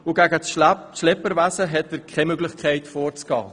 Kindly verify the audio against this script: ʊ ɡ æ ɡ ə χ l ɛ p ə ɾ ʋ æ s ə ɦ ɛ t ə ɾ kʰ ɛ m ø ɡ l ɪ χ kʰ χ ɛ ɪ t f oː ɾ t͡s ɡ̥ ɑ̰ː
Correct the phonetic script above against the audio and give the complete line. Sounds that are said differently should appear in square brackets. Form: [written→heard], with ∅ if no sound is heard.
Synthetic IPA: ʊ ɡ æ ɡ ə [χ→ʃ] l ɛ p ə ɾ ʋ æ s ə ɦ ɛ t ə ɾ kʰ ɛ m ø ɡ l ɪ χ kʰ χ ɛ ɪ t f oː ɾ t͡s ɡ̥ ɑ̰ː